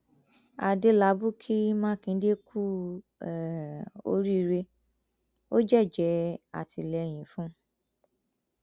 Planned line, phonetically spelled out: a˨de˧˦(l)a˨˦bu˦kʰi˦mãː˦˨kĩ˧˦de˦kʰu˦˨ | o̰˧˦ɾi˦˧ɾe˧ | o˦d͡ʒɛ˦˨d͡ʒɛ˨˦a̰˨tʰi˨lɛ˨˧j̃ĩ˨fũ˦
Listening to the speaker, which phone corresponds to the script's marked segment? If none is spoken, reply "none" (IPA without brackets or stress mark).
l